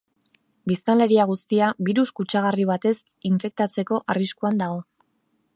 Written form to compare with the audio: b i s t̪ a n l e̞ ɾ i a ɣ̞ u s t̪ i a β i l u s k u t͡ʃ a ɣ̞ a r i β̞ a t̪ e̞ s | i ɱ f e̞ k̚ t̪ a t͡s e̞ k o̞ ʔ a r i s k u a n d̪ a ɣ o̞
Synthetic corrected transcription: b i s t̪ a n l e̞ ɾ i a ɣ̞ u s t̪ i a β i ɾ u s k u t͡ʃ a ɣ̞ a r i β̞ a t̪ e̞ s | i ɱ f e̞ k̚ t̪ a t͡s e̞ k o̞ ʔ a r i s k u a n d̪ a ɣ o̞